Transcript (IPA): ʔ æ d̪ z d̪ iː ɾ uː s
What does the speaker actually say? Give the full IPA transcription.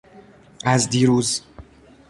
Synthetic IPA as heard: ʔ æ z d̪ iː ɾ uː z